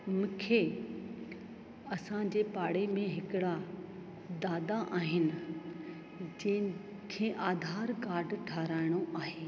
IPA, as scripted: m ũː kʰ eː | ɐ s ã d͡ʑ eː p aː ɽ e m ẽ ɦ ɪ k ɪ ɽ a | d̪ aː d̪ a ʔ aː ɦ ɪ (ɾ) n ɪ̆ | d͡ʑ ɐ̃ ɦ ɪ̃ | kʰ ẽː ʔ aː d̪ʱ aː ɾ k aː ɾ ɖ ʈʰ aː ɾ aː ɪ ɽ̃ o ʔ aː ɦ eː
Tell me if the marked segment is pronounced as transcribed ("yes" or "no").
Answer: no